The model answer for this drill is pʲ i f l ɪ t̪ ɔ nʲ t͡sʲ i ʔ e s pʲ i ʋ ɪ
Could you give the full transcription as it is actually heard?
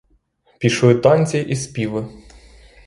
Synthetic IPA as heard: pʲ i ʃ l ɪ t̪ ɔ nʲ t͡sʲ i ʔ i s pʲ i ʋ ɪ